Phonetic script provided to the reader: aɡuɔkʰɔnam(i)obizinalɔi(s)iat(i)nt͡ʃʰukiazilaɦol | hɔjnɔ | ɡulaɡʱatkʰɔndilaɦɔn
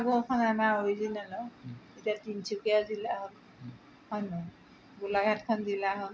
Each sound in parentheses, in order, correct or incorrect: incorrect: a, incorrect: t, correct

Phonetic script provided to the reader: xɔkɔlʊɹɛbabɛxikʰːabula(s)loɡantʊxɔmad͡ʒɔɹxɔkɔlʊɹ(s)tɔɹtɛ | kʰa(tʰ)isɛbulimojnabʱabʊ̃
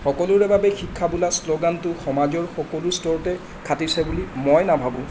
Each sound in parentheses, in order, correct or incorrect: correct, correct, incorrect: t

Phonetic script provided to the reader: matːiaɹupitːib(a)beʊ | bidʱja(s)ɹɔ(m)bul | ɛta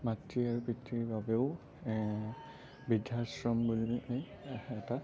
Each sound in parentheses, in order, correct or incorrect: correct, correct, correct

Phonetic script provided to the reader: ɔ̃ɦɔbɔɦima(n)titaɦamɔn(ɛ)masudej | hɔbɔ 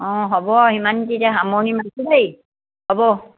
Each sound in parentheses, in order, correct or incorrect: correct, incorrect: i

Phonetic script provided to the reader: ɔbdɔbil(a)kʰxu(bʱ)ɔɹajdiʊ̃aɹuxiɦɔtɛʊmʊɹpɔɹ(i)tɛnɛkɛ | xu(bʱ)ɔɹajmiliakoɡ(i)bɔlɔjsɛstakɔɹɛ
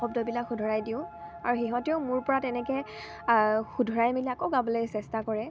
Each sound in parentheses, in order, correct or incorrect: correct, incorrect: dʱ, incorrect: a, incorrect: dʱ, incorrect: a

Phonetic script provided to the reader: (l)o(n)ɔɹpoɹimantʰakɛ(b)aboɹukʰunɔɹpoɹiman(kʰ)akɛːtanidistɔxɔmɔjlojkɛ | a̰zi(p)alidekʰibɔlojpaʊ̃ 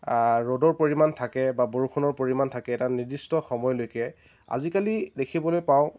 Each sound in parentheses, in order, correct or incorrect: incorrect: ɹ, incorrect: d, correct, incorrect: tʰ, incorrect: k

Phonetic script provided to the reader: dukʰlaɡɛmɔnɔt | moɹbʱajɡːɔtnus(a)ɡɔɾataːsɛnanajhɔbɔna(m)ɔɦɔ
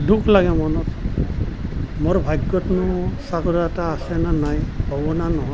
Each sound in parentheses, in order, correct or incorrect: correct, incorrect: n

